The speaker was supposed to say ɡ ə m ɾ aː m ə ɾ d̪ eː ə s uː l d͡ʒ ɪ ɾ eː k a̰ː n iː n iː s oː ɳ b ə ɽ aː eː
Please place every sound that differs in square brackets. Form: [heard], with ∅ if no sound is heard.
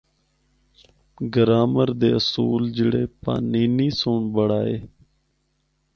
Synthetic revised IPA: ɡ ə [∅] ɾ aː m ə ɾ d̪ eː ə s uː l d͡ʒ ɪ [ɽ] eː [p] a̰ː n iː n iː s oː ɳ b ə ɽ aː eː